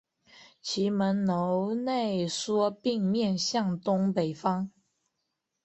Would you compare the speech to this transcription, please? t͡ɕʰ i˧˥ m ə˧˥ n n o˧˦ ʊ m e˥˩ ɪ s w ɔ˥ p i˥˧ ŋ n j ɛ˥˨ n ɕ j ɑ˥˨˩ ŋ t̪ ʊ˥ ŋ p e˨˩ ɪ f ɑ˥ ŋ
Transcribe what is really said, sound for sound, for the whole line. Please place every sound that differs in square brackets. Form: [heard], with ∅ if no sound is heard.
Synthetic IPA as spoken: t͡ɕʰ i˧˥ m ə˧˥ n n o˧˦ ʊ [n] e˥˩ ɪ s w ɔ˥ p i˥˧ ŋ [m] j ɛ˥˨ n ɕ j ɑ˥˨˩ ŋ t̪ ʊ˥ ŋ p e˨˩ ɪ f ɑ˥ ŋ